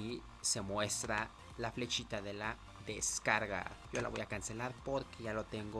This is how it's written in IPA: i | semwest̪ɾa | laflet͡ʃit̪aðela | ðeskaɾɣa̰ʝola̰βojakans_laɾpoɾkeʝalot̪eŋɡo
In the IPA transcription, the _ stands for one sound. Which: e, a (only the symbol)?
e